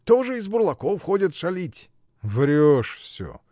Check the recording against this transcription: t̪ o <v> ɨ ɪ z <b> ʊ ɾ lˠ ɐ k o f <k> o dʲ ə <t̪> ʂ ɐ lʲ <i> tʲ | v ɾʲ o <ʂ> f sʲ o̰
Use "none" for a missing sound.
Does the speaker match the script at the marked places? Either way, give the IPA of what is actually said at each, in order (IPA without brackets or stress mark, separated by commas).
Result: ʐ, b, x, t̪, i, ʂ